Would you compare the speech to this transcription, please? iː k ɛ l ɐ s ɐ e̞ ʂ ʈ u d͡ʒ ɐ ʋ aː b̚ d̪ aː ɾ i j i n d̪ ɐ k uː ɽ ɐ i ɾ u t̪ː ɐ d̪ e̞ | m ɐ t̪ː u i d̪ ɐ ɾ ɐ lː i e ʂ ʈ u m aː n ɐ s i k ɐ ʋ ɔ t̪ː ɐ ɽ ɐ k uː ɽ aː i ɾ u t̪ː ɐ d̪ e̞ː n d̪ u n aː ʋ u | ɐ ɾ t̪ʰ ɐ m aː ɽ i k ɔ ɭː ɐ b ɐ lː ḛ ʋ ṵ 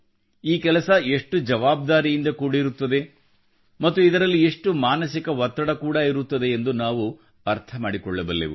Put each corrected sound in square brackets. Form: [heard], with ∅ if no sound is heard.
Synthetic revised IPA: iː k ɛ l ɐ s ɐ e̞ ʂ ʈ u d͡ʒ ɐ ʋ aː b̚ d̪ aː ɾ i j i n d̪ ɐ k uː ɽ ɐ i ɾ u t̪ː ɐ d̪ e̞ | m ɐ t̪ː u i d̪ ɐ ɾ ɐ lː i e ʂ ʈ u m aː n ɐ s i k ɐ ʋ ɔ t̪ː ɐ ɽ ɐ k uː ɽ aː i ɾ u t̪ː ɐ d̪ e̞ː n d̪ u n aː ʋ u | ɐ ɾ t̪ʰ ɐ m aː ɽ i k ɔ ɭː ɐ b ɐ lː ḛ ʋ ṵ